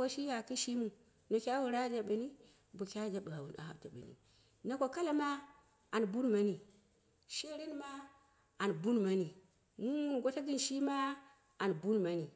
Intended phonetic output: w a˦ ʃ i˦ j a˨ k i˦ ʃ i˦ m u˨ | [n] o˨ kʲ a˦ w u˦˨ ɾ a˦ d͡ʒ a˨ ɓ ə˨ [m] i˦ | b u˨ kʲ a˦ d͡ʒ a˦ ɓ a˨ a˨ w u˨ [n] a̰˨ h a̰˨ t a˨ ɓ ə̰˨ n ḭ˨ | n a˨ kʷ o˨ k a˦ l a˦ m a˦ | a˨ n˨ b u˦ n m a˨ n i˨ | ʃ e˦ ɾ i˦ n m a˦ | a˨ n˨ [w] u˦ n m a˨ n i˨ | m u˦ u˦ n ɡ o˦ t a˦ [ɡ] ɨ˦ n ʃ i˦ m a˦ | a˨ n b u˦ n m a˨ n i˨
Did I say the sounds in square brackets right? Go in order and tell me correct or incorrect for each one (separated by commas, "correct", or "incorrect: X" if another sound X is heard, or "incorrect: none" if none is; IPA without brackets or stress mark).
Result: correct, incorrect: n, correct, incorrect: b, correct